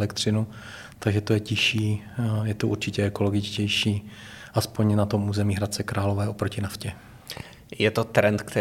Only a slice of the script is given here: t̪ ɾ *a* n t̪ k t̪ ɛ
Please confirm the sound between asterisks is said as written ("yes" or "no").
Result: no